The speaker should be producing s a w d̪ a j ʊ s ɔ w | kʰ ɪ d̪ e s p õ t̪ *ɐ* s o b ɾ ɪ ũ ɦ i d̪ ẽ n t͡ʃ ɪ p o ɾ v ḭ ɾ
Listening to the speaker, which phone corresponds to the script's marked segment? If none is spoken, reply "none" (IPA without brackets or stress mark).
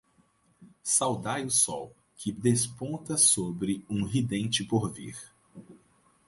ɐ